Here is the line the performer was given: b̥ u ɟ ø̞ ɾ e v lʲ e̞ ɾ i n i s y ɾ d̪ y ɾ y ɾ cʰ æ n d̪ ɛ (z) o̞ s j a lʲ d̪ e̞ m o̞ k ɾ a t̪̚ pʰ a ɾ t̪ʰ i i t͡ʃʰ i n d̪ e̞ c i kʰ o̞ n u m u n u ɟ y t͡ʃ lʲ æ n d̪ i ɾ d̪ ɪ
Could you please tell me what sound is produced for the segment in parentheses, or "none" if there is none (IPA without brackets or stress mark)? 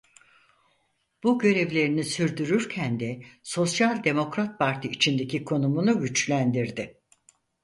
s